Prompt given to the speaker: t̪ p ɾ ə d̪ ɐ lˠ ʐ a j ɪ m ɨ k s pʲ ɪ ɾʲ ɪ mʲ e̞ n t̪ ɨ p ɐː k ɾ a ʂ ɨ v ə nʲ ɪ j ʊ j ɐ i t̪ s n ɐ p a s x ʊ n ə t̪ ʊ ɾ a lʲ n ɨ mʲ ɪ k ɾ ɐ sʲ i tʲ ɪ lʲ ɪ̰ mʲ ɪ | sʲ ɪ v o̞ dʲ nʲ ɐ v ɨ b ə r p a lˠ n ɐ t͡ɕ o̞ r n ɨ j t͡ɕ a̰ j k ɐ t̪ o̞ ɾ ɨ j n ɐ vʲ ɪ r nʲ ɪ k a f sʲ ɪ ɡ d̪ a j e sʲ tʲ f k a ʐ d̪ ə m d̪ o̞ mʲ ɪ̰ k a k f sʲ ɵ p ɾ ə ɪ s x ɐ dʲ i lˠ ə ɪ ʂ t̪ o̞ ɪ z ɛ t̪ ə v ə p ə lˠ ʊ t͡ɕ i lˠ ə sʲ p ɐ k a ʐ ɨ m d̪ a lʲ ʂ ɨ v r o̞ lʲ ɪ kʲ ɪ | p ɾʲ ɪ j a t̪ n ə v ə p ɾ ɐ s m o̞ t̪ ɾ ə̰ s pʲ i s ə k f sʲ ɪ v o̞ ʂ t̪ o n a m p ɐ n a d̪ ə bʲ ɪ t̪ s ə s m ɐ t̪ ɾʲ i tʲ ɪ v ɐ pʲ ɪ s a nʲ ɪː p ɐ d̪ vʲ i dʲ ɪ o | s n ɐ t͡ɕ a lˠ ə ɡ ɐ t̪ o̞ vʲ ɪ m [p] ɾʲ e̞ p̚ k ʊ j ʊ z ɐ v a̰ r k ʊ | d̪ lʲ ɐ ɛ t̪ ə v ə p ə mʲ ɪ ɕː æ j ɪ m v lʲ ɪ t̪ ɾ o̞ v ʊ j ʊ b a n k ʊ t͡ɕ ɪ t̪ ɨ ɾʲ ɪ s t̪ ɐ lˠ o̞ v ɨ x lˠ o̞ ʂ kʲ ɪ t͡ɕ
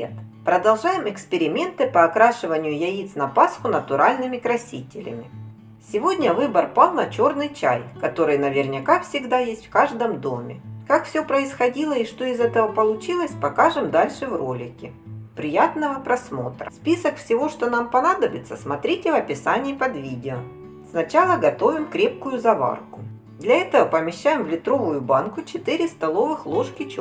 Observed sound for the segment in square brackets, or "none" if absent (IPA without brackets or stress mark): k